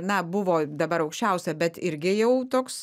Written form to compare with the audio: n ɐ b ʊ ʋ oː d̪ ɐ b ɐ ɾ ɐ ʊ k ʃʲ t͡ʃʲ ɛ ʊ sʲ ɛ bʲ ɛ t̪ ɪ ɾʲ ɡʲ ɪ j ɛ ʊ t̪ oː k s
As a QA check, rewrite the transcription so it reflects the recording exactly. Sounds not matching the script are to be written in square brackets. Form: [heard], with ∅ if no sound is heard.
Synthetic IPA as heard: n ɐ b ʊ ʋ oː d̪ ɐ b ɐ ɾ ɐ ʊ k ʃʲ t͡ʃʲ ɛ ʊ sʲ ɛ bʲ ɛ t̪ ɪ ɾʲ ɡʲ ɪ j ɛ ʊ t̪ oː k s